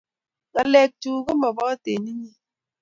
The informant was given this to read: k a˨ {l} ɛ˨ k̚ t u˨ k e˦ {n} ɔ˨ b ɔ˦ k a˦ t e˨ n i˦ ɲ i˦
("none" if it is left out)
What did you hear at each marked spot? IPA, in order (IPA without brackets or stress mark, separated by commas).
l, m